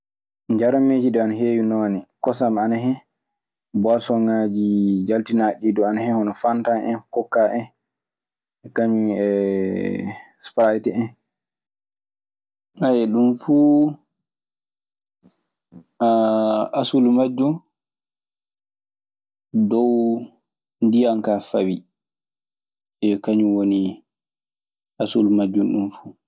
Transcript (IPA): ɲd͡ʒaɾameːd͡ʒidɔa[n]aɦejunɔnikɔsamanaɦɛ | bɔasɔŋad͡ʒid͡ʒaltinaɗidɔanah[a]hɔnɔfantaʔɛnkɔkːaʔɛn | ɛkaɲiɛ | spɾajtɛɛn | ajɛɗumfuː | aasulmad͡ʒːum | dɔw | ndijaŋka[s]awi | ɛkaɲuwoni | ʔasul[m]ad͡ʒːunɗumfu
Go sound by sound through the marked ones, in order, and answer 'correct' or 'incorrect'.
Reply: correct, incorrect, incorrect, correct

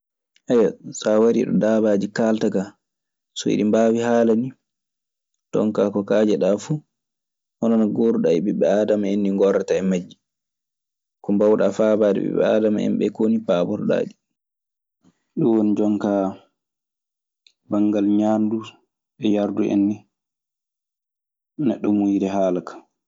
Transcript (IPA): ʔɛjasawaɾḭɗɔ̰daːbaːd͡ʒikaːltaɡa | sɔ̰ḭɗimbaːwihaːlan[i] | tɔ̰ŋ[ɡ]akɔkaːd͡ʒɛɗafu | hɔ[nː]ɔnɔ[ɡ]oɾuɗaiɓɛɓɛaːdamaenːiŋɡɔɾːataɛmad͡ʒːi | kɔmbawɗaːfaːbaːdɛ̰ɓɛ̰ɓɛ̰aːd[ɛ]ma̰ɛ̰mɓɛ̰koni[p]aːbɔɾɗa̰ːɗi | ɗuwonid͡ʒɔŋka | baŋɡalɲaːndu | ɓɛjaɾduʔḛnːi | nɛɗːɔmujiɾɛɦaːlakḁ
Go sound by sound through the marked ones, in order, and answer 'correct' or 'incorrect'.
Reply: correct, incorrect, incorrect, correct, incorrect, correct

